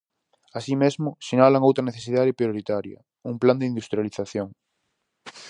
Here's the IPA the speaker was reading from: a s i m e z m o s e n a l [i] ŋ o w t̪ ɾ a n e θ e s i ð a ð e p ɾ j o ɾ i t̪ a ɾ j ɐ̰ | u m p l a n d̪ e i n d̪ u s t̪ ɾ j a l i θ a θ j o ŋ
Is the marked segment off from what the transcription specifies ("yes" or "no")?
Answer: yes